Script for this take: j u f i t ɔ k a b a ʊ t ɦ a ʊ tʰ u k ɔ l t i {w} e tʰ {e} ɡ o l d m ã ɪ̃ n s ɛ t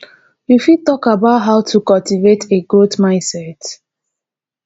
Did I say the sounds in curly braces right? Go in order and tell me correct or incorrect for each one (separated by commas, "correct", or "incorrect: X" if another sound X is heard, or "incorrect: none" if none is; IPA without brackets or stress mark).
incorrect: v, correct